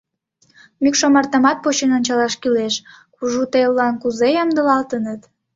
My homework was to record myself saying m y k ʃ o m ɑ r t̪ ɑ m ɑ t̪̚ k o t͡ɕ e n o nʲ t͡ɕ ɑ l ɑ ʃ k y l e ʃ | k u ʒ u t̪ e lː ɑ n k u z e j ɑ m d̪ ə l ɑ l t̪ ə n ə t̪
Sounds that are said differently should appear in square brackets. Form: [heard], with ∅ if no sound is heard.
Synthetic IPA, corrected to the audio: m y k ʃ o m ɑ r t̪ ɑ m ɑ t̪̚ [p] o t͡ɕ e n o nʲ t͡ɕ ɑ l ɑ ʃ k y l e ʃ | k u ʒ u t̪ e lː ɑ n k u z e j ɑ m d̪ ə l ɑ l t̪ ə n ə t̪